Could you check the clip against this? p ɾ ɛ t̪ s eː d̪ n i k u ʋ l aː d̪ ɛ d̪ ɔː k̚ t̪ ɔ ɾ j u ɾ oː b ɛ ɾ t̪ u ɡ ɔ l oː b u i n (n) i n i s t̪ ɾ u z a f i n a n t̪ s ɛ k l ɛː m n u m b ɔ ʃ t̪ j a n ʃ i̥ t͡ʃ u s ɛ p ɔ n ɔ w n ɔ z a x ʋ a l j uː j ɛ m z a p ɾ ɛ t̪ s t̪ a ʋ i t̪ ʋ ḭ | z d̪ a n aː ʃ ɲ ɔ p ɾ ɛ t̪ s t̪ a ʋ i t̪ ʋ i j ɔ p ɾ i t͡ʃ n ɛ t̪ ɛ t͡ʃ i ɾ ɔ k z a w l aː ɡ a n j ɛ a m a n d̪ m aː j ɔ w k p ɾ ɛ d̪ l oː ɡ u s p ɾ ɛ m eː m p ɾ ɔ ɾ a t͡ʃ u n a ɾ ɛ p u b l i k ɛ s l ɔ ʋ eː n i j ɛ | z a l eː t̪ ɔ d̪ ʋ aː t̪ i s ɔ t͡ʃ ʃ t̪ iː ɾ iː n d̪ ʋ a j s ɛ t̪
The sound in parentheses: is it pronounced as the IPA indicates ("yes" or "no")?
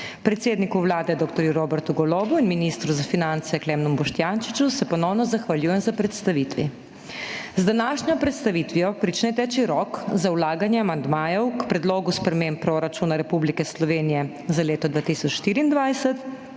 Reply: no